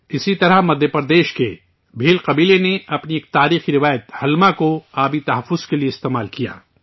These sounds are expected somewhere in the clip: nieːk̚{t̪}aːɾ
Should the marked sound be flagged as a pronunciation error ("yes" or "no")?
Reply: no